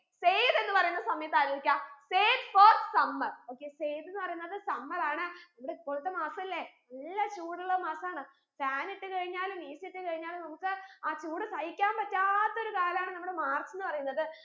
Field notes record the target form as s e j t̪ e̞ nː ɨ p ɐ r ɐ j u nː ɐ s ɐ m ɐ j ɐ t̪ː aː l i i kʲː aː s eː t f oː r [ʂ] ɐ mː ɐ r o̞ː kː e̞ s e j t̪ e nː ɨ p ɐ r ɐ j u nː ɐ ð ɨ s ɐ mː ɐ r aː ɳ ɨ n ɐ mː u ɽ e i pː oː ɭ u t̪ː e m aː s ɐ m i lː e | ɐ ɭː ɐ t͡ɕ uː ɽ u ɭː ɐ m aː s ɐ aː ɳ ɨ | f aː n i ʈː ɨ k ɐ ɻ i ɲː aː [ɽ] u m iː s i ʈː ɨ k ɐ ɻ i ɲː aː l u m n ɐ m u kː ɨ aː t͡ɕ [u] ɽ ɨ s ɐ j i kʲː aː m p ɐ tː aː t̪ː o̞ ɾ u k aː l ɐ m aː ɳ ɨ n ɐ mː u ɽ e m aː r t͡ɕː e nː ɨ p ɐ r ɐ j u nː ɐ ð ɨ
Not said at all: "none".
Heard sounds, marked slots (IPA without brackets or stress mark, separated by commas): s, l, uː